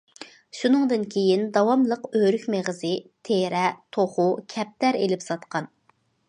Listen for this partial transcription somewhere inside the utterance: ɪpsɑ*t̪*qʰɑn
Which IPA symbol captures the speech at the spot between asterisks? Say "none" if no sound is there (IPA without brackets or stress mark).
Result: t̪